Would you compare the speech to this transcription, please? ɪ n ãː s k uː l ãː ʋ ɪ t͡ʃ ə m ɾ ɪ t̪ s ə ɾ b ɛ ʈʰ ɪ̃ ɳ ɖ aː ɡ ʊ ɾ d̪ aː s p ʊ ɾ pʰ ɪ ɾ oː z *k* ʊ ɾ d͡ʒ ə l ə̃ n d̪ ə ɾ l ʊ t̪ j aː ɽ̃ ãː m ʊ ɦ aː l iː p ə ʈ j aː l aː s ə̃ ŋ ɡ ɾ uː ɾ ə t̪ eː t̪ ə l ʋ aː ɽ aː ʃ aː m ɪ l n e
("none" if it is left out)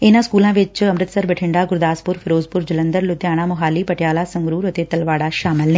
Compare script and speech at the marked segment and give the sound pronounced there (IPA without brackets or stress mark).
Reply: p